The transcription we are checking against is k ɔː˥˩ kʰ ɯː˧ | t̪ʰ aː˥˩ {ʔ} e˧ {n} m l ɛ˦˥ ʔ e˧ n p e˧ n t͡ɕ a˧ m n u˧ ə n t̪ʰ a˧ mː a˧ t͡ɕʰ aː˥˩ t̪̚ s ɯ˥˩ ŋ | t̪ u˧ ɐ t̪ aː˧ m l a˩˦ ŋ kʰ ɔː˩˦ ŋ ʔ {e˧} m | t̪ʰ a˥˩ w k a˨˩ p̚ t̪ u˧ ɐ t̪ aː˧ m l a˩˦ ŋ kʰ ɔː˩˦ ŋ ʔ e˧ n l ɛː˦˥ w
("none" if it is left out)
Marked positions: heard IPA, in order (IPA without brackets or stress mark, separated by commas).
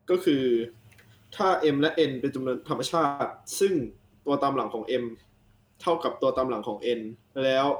ʔ, none, e˧